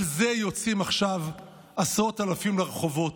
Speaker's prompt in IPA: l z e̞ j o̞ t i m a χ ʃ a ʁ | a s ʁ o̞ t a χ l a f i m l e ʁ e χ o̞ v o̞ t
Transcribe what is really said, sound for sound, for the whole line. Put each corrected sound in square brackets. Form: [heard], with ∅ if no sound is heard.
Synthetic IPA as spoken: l z e̞ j o̞ [t͡s] i m a χ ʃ a [v] | a s ʁ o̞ t a [∅] l a f i m l e ʁ e χ o̞ v o̞ t